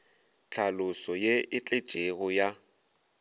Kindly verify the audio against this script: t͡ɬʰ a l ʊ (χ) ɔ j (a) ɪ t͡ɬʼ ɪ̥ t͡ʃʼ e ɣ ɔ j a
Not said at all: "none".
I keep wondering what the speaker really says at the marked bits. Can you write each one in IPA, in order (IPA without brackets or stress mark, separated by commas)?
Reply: s, e